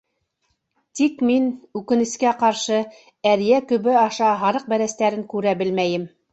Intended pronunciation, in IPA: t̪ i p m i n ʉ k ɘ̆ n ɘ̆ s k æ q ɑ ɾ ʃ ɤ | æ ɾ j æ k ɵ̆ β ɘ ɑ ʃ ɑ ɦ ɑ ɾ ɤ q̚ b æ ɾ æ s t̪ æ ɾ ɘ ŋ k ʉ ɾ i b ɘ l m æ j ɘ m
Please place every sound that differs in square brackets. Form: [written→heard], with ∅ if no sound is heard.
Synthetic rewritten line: t̪ i [p→k] m i n ʉ k ɘ̆ n ɘ̆ s k æ q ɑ ɾ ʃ ɤ | æ ɾ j æ k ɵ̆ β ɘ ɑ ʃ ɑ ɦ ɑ ɾ ɤ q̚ b æ ɾ æ s t̪ æ ɾ ɘ ŋ k ʉ ɾ [i→æ] b ɘ l m æ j ɘ m